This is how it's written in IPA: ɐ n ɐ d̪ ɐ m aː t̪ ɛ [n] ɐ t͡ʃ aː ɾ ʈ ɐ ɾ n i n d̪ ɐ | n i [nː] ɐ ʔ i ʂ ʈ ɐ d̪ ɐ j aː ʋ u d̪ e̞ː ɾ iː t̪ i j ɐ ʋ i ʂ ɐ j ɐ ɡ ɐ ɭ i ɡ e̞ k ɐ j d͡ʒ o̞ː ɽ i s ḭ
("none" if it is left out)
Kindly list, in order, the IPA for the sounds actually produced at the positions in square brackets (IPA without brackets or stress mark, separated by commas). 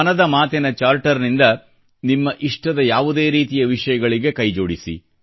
n, mː